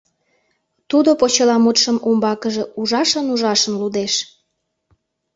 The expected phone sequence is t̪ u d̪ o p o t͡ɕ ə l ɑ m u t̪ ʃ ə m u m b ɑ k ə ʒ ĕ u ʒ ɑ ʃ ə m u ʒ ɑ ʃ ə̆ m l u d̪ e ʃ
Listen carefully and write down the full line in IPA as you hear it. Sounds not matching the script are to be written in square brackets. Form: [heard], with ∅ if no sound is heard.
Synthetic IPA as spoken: t̪ u d̪ o p o t͡ɕ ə l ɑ m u t̪ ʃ ə m u m b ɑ k ə ʒ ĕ u ʒ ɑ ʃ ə [n] u ʒ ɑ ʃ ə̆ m l u d̪ e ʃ